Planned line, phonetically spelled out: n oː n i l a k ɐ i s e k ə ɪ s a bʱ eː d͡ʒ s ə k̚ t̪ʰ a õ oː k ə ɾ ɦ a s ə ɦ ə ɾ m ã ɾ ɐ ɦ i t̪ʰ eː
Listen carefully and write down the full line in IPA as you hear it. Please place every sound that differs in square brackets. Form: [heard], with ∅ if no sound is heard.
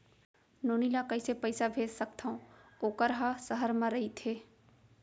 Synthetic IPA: n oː n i l a k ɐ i s e [p] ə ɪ s a bʱ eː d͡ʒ s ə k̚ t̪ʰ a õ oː k ə ɾ ɦ a s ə ɦ ə ɾ m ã ɾ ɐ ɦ i t̪ʰ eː